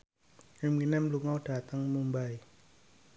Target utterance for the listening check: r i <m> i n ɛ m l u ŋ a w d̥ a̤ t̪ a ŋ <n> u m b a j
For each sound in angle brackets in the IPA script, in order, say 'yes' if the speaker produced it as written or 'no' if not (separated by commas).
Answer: yes, no